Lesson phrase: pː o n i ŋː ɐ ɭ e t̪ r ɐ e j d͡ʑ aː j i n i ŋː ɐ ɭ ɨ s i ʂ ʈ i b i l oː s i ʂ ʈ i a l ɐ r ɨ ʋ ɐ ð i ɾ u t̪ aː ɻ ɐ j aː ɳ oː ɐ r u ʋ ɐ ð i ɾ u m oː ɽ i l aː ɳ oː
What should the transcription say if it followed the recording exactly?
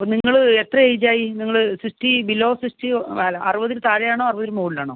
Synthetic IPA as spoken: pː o n i ŋː ɐ ɭ e t̪ r ɐ e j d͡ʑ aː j i n i ŋː ɐ ɭ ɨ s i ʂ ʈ i b i l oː s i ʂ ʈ i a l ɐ r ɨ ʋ ɐ ð i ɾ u t̪ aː ɻ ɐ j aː ɳ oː ɐ r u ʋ ɐ ð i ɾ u m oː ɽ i l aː ɳ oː